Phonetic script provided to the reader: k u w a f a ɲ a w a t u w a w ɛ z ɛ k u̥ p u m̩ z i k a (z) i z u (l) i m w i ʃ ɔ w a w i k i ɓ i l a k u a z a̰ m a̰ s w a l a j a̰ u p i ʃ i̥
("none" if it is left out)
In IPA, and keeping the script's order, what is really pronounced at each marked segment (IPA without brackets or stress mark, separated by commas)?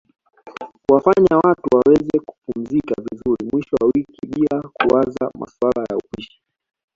v, ɾ